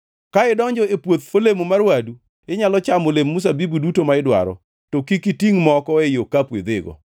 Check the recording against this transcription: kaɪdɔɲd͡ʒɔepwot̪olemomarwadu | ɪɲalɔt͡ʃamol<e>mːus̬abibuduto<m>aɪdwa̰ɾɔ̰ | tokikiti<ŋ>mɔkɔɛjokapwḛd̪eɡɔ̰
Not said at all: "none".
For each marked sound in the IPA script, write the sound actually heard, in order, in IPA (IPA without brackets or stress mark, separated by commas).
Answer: e, m, ŋ